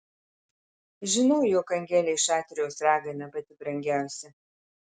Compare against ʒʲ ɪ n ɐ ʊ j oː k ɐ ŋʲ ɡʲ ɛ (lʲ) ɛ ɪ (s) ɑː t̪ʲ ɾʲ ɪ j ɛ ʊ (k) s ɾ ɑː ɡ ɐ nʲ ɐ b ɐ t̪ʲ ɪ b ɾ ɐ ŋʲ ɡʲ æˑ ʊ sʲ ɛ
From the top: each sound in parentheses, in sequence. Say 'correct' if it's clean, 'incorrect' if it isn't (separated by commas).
correct, incorrect, incorrect